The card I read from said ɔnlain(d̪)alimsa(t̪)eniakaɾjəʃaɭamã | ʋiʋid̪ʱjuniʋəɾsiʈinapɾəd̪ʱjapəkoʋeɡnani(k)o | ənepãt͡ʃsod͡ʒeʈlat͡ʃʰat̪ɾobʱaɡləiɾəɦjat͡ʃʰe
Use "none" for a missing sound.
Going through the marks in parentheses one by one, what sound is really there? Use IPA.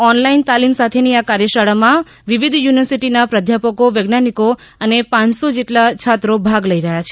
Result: t̪, t̪ʰ, k

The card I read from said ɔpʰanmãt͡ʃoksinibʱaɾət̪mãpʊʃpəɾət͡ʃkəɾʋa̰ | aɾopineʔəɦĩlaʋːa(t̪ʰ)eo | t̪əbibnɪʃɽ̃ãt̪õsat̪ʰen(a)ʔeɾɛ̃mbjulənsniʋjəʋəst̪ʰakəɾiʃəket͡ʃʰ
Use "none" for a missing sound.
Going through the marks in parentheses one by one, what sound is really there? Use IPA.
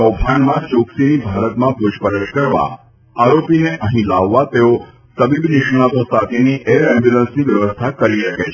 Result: t̪, i

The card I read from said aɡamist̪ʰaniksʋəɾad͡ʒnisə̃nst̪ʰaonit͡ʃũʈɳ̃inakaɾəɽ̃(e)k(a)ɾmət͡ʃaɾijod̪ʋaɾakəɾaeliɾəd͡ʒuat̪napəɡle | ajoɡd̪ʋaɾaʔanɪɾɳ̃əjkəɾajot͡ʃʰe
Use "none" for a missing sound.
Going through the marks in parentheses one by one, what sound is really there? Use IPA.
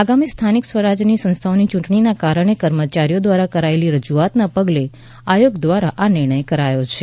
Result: e, ə

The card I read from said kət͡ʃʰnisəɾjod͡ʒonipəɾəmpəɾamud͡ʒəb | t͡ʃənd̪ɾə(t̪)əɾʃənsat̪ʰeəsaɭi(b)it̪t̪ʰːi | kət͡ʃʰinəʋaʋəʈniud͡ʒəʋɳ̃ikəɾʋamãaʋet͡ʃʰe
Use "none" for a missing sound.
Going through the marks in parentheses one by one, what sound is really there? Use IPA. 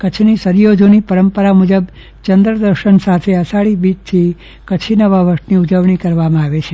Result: d̪, b

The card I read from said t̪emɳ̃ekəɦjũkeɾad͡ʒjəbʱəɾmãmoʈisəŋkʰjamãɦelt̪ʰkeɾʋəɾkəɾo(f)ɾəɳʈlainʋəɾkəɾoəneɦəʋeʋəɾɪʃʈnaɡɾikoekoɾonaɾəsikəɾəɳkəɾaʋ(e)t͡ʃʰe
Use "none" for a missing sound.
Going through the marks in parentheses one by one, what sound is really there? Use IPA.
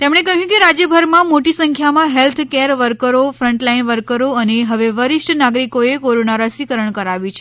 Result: f, i

